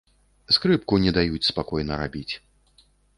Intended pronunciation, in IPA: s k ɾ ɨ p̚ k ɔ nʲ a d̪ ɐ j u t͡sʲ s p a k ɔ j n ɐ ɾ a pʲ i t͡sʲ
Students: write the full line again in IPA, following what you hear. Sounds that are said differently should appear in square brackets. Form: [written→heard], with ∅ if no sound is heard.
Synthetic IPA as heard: s k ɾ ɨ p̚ k [ɔ→u] nʲ [a→ɛ] d̪ [ɐ→a] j u t͡sʲ s p a k ɔ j n ɐ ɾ a [pʲ→bʲ] i t͡sʲ